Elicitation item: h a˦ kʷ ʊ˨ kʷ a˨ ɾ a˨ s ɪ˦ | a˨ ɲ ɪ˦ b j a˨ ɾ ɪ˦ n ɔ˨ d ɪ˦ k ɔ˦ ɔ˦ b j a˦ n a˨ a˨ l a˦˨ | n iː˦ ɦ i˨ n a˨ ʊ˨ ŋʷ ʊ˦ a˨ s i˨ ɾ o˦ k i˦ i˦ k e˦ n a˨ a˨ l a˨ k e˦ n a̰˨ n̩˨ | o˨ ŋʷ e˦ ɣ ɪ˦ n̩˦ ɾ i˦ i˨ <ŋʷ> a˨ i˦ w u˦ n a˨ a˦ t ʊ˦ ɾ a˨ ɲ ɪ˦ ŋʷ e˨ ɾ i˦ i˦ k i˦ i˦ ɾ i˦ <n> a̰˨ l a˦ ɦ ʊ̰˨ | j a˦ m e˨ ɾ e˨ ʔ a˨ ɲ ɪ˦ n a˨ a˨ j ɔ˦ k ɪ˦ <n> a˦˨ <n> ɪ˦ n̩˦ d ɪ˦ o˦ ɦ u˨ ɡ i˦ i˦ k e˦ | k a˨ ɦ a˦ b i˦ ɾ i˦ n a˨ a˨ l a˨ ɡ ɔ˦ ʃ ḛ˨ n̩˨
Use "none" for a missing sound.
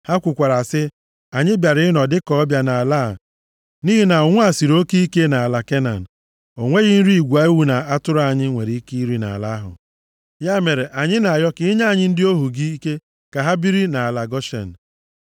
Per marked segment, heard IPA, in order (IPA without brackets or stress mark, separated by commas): ɡʷ, n, ɲ, ɲ